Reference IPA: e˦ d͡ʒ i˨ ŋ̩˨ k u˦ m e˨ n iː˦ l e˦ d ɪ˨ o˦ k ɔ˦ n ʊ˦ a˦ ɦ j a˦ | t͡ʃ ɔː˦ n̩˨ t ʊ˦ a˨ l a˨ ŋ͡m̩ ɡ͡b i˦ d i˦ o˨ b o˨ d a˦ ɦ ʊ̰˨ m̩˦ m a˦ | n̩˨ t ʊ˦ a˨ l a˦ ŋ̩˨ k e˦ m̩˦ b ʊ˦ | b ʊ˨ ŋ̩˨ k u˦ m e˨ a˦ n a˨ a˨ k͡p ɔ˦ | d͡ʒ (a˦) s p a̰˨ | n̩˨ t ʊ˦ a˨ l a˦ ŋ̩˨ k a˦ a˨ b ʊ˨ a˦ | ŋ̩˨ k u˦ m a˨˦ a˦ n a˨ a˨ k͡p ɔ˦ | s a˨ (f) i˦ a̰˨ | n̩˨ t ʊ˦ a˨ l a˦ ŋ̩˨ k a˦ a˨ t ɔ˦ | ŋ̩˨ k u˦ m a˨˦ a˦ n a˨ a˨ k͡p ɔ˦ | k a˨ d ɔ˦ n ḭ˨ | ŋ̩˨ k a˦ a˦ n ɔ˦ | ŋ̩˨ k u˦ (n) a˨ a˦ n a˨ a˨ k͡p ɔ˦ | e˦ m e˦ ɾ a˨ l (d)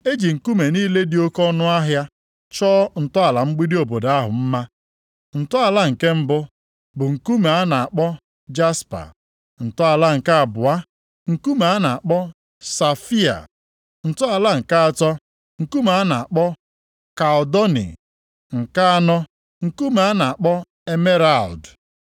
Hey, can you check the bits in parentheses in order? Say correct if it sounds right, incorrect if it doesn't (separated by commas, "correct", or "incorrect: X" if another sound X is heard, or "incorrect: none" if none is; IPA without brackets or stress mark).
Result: correct, correct, incorrect: m, correct